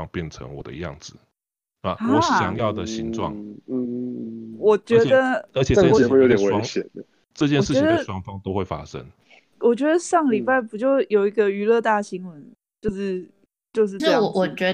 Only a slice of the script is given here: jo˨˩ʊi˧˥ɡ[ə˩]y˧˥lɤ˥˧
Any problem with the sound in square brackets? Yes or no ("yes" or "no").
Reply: yes